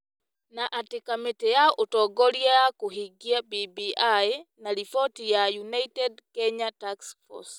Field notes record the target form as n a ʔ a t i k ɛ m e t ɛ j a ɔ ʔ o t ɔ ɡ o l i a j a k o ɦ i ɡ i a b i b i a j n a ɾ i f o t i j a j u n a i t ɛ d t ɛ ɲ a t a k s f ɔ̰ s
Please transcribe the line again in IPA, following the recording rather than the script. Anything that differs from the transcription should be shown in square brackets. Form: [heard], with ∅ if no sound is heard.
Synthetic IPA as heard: n a ʔ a t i k [a] m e t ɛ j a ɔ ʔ o t ɔ ɡ [ɔ] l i a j a k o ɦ i ɡ i a b i b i a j n a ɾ i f [ɔ] t i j a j u n a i t ɛ d [k] ɛ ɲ a t a k s f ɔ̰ s